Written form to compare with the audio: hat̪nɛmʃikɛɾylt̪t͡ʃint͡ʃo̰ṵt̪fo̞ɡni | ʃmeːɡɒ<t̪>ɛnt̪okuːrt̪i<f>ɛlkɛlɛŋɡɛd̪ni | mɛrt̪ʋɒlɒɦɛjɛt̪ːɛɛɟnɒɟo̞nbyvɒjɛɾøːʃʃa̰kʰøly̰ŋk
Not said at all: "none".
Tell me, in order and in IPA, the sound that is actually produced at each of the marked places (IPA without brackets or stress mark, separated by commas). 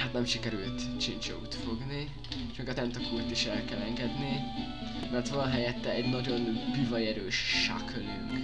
t̪, ʃ